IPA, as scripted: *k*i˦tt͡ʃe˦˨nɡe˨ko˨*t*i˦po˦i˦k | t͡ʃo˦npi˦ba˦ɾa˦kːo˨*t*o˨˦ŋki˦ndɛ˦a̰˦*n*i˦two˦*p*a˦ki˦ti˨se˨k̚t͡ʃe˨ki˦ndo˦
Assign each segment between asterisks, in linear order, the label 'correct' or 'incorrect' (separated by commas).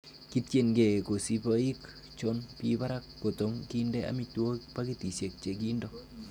correct, incorrect, correct, incorrect, correct